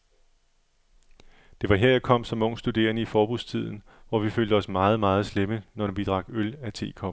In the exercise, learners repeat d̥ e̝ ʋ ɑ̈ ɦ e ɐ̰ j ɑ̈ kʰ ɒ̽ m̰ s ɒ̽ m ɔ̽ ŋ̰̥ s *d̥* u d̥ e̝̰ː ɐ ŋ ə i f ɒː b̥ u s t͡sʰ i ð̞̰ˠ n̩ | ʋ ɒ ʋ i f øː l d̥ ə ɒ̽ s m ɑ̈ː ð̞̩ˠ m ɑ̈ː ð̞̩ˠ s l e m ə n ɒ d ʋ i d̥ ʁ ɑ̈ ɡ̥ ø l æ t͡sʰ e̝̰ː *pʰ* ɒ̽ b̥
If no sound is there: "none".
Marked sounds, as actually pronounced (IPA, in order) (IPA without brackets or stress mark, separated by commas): d̥, kʰ